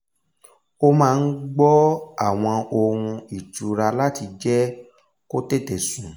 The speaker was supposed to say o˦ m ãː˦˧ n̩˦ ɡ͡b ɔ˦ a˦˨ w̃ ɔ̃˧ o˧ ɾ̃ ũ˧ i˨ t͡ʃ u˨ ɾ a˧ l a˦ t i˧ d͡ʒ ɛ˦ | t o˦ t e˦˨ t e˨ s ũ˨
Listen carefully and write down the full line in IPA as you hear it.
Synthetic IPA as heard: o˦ m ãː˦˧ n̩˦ ɡ͡b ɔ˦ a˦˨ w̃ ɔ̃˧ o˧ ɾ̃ ũ˧ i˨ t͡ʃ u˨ ɾ a˧ l a˦ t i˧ d͡ʒ ɛ˦ | k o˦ t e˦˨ t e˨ s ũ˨